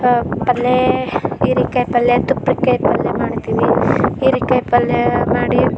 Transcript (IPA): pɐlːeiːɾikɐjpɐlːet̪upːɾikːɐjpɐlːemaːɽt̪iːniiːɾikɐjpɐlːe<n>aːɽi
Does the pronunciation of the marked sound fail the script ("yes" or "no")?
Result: yes